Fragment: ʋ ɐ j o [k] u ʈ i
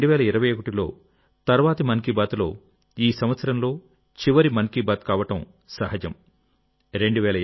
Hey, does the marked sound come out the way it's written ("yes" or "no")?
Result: yes